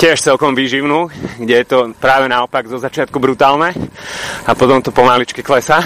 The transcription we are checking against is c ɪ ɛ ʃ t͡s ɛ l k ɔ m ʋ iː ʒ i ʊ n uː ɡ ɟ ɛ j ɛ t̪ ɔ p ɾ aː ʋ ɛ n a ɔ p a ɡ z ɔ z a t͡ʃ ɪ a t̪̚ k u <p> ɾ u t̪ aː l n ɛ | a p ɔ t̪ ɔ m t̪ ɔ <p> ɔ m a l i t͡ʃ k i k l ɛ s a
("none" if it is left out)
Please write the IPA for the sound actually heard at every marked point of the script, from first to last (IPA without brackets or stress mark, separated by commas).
b, p